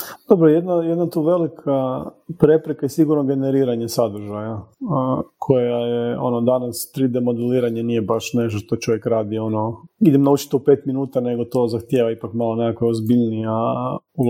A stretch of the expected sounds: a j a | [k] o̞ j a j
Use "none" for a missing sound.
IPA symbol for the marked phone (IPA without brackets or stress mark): kʰ